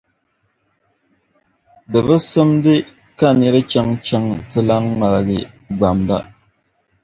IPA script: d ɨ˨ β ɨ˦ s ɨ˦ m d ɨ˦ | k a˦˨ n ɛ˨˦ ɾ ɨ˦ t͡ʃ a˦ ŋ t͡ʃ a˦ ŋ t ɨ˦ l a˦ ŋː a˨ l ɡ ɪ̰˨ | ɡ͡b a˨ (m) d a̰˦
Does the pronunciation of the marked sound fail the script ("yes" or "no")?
no